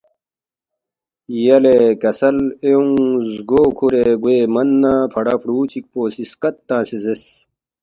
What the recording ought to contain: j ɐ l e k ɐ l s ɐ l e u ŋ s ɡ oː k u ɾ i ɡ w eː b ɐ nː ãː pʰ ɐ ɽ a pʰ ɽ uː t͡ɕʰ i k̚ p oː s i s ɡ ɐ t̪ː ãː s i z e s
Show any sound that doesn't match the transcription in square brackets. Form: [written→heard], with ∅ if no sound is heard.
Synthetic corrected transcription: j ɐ l e k ɐ [l→∅] s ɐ l e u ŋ [s→z] ɡ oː [k→kʰ] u ɾ [i→e] ɡ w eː [b→m] ɐ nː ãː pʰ ɐ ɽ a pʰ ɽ uː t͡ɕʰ i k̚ p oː s i s [ɡ→k] ɐ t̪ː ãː s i z e s

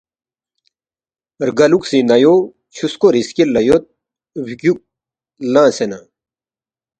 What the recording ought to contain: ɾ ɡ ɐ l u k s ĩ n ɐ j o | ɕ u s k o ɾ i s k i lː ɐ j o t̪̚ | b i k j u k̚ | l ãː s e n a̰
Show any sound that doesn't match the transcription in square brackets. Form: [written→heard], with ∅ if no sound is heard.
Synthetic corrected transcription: ɾ ɡ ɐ l u k s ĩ n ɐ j o | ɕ u s k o ɾ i s k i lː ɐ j o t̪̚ | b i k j u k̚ | l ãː s e n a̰

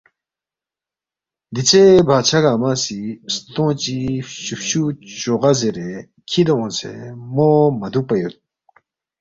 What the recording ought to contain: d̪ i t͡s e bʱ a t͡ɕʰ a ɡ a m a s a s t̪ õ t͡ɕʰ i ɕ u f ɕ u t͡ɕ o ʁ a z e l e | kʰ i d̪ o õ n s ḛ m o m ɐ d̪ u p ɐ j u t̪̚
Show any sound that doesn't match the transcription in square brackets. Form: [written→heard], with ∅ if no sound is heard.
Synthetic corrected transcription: d̪ i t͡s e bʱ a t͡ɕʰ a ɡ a m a s [a→i] s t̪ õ [t͡ɕʰ→t͡ɕ] i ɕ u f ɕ u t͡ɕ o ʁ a z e [l→ɾ] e | kʰ i d̪ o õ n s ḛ m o m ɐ d̪ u p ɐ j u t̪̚

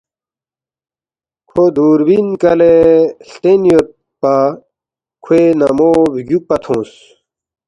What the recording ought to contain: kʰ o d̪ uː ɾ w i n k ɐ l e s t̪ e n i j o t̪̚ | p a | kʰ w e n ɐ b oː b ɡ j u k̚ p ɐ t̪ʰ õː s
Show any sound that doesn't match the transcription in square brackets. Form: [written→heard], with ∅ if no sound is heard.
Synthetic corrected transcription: kʰ o d̪ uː ɾ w i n k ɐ l e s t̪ e n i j o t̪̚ | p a | kʰ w e n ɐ [b→m] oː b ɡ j u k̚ p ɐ t̪ʰ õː s

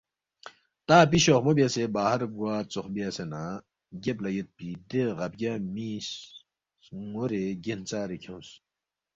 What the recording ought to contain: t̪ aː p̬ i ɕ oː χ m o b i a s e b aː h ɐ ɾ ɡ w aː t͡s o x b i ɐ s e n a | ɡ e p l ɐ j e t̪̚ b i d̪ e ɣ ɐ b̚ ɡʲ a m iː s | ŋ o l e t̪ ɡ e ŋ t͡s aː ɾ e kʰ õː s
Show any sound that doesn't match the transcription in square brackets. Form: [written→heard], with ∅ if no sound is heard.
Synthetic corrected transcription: t̪ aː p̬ i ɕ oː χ m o b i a s e b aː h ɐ ɾ ɡ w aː t͡s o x b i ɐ s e n a | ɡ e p l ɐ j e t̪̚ [b→p] i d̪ e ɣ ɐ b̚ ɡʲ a m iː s | ŋ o [l→ɾ] e [t̪→∅] ɡ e [ŋ→n] t͡s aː ɾ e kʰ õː s

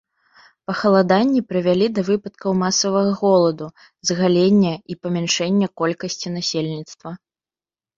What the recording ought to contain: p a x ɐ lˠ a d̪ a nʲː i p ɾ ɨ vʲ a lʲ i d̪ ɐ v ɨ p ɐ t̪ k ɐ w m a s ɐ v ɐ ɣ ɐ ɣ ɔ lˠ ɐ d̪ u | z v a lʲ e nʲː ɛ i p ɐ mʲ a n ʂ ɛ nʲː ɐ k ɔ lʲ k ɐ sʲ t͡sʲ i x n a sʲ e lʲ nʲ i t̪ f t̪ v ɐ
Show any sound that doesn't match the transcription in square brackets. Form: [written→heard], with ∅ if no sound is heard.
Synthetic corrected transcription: p [a→ɐ] x ɐ lˠ a d̪ a nʲː i p ɾ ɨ vʲ a lʲ i d̪ ɐ v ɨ p ɐ t̪ k ɐ w m a s ɐ v ɐ ɣ ɐ ɣ ɔ lˠ ɐ d̪ u | z [v→ɣ] a lʲ e nʲː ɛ i p ɐ mʲ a n ʂ ɛ nʲː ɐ k ɔ lʲ k ɐ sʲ t͡sʲ i [x→∅] n a sʲ e lʲ nʲ i t̪ [f→s] t̪ v ɐ

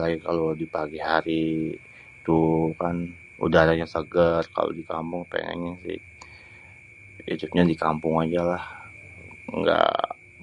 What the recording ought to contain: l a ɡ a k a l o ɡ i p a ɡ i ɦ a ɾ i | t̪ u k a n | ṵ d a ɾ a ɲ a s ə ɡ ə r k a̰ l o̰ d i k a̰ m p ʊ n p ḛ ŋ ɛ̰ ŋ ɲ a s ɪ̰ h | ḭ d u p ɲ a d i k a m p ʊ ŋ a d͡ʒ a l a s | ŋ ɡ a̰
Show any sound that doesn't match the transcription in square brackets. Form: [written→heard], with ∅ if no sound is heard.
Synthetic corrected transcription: l a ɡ [a→i] k a l o [ɡ→d] i p a ɡ i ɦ a ɾ i | t̪ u k a n | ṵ d a ɾ a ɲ a s ə ɡ ə r k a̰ l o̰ d i k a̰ m p ʊ [n→ŋ] p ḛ ŋ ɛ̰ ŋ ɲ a s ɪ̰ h | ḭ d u p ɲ a d i k a m p ʊ ŋ a d͡ʒ a l a [s→h] | ŋ ɡ a̰

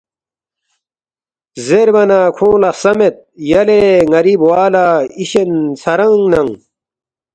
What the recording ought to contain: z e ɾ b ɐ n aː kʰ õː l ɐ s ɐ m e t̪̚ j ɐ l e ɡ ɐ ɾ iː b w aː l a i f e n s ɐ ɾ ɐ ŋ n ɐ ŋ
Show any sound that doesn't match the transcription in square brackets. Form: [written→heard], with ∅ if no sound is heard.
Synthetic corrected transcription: z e ɾ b ɐ n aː kʰ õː l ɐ s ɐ m e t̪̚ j ɐ l e [ɡ→ŋ] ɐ ɾ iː b w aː l a i [f→ɕ] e n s ɐ ɾ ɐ ŋ n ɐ ŋ

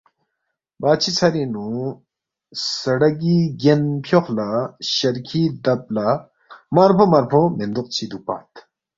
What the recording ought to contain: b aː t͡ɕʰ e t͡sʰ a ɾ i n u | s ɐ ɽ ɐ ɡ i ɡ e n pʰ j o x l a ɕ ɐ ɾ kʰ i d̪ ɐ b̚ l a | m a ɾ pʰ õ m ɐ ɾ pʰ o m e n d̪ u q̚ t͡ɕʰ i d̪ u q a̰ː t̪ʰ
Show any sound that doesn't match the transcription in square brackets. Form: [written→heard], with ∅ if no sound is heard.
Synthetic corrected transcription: b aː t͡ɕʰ [e→i] t͡sʰ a ɾ i n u | s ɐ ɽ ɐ ɡ i ɡ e n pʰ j o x l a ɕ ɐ ɾ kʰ i d̪ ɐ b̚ l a | m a ɾ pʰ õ m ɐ ɾ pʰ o m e n d̪ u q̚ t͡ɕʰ i d̪ u [q→p] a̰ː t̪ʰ

